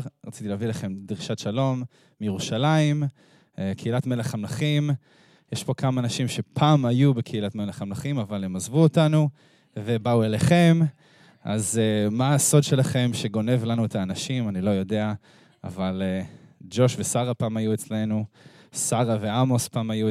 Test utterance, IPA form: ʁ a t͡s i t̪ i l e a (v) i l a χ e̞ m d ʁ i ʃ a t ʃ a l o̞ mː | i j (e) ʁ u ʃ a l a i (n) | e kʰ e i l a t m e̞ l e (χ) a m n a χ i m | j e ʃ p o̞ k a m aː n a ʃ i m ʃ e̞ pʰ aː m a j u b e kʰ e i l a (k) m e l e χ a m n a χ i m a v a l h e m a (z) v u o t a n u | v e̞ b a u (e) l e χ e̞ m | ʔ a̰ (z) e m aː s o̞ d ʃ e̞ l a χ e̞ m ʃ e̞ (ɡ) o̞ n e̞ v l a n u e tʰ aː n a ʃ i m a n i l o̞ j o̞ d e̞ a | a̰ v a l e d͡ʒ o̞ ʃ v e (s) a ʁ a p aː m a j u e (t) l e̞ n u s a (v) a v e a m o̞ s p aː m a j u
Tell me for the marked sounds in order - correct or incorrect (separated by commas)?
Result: correct, correct, incorrect, correct, incorrect, correct, correct, correct, correct, correct, incorrect, incorrect